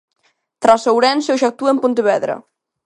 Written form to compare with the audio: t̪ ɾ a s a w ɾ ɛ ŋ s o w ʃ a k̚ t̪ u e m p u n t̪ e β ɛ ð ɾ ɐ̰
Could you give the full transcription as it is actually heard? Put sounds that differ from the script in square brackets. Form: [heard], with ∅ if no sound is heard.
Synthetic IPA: t̪ ɾ a s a w ɾ ɛ [n] s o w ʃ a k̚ t̪ u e m p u n t̪ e β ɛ ð ɾ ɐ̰